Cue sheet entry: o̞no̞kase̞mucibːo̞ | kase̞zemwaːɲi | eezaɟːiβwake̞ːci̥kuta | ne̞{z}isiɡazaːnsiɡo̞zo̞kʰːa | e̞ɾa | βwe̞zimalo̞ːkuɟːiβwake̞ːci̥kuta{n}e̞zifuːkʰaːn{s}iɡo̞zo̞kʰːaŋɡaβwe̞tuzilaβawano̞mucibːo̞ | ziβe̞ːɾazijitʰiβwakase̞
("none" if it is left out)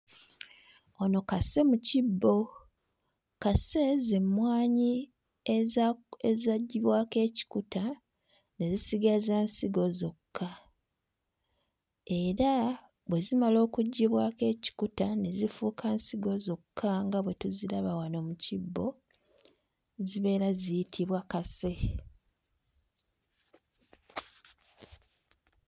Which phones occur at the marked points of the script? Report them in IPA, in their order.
z, n, s

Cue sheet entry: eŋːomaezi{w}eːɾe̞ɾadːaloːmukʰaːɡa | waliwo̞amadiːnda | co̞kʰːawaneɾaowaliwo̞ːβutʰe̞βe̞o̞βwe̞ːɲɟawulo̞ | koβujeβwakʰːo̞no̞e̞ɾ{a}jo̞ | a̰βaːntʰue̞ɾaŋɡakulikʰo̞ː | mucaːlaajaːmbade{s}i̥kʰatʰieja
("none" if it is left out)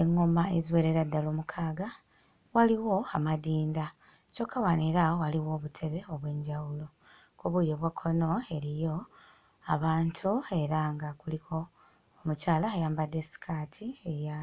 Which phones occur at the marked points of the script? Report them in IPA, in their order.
w, i, s

